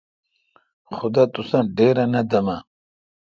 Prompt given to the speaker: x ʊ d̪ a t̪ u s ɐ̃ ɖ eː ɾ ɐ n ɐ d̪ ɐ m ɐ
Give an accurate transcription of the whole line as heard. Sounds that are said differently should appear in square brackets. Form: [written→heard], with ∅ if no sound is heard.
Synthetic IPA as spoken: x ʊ d̪ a t̪ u s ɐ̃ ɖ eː ɾ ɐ n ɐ d̪ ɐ m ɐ